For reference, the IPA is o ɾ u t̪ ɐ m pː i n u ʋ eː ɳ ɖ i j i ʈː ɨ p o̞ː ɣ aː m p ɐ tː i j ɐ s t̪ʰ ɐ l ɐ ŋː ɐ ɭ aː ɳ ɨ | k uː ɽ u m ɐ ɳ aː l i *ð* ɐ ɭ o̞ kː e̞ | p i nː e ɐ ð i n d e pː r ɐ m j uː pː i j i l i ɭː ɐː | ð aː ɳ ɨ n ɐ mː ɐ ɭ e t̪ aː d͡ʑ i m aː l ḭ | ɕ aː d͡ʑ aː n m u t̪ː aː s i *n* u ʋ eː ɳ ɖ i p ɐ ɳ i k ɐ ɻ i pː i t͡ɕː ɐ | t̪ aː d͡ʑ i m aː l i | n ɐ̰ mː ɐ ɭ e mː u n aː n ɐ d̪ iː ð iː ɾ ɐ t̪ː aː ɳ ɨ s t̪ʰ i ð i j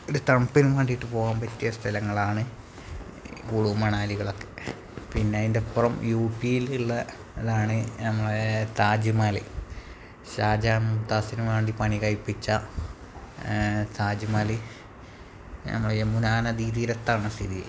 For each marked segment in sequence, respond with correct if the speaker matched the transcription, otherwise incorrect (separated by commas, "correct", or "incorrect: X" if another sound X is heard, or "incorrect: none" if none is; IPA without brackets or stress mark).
incorrect: ɣ, correct